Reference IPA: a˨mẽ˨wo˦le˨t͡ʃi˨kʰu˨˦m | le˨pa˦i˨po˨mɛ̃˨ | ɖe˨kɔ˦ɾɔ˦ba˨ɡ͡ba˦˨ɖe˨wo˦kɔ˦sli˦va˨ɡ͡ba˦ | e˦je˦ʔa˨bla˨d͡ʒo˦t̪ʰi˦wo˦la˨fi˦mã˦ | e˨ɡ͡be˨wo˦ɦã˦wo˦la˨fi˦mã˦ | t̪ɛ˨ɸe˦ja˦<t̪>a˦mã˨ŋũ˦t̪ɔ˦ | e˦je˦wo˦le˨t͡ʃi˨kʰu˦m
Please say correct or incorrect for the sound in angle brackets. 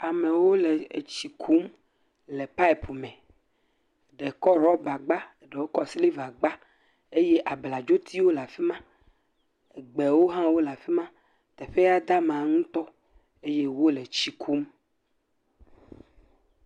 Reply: incorrect: d̪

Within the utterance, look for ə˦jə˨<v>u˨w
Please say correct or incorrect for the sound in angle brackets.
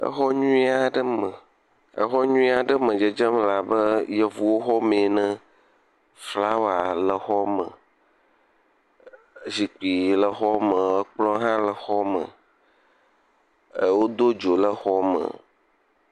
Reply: correct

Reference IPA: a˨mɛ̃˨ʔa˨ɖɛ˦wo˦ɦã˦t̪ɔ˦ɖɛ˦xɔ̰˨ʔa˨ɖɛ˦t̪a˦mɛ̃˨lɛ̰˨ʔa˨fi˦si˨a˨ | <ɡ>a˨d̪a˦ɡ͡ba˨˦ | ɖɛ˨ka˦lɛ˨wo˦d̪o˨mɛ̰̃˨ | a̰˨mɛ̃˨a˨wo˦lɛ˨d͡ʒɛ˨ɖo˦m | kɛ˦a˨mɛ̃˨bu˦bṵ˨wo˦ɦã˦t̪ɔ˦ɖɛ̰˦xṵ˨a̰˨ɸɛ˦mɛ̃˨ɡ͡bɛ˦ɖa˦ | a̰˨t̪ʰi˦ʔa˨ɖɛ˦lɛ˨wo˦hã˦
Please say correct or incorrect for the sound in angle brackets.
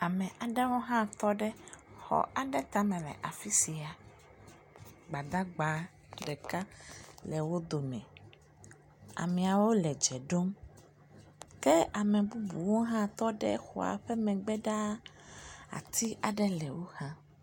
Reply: incorrect: ɡ͡b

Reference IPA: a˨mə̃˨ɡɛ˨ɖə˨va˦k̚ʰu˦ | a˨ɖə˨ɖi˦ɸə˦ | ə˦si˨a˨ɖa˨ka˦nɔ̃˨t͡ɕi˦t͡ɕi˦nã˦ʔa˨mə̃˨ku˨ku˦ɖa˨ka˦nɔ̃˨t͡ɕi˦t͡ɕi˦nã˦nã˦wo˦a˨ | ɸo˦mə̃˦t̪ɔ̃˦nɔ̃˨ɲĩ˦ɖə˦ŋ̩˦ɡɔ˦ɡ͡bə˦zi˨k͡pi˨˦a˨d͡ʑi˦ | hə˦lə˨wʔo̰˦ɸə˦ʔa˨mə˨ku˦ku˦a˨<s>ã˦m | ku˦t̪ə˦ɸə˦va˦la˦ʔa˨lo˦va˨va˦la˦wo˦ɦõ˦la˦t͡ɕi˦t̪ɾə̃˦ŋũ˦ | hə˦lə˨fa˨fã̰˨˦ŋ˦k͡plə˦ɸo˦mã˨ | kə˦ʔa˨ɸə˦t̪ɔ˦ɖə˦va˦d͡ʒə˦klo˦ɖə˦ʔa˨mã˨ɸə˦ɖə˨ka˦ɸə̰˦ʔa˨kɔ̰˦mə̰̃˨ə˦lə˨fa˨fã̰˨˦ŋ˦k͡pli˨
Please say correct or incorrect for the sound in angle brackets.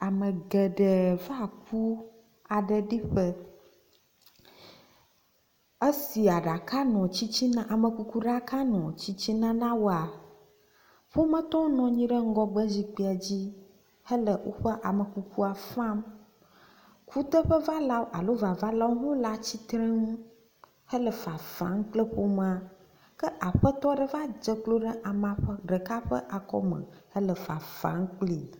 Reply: incorrect: f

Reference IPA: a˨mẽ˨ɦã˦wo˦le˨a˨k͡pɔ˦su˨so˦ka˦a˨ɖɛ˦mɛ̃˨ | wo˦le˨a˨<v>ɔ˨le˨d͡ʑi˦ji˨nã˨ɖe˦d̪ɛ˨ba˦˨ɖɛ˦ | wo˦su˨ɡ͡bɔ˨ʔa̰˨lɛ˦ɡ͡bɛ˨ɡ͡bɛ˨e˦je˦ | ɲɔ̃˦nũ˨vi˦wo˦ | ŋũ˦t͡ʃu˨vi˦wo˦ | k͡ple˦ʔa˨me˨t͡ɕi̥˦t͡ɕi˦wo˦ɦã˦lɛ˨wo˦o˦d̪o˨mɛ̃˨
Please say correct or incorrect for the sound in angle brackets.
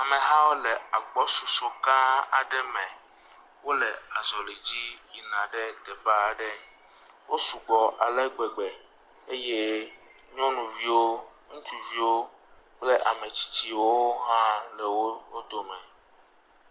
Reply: incorrect: z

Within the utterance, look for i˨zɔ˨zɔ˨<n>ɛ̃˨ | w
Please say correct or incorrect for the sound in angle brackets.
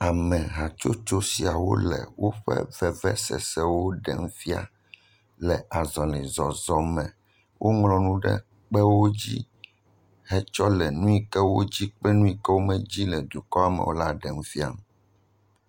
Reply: incorrect: m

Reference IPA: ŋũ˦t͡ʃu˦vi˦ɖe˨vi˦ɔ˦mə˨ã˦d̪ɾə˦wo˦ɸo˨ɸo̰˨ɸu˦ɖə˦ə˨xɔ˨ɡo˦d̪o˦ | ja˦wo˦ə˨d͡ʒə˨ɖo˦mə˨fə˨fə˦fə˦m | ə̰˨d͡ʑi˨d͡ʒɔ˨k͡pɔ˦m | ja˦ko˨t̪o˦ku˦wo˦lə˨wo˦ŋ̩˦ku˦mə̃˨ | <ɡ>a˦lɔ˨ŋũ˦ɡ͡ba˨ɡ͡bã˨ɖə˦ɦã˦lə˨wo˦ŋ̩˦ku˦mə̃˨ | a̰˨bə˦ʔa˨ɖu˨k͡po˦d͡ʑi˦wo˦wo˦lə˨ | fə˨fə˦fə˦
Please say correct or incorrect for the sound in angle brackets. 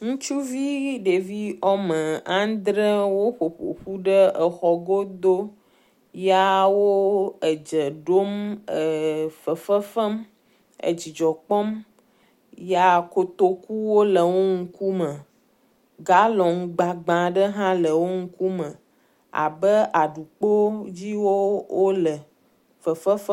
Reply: correct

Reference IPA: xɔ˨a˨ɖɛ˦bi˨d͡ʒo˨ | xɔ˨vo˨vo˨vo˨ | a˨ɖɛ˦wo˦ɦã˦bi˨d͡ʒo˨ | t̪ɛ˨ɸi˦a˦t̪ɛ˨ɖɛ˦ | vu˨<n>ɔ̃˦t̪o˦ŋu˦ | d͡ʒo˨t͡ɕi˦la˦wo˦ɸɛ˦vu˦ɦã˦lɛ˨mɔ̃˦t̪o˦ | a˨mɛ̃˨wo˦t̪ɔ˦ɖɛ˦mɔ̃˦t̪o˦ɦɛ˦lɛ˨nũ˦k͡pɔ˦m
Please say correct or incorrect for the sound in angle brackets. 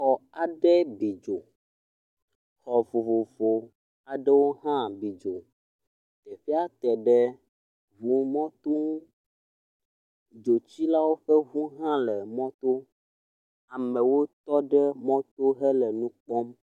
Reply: incorrect: m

